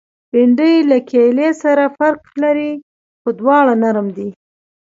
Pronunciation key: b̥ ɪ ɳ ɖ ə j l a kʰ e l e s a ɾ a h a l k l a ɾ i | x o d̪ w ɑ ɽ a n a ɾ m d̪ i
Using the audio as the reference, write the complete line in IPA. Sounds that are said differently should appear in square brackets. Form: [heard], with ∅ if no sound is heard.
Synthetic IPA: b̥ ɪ ɳ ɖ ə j l a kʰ e l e s a ɾ a [f] a [ɾ] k l a ɾ i | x o d̪ w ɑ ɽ a n a ɾ m d̪ i